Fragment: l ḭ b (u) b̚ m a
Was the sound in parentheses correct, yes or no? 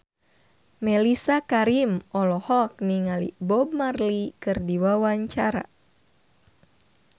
no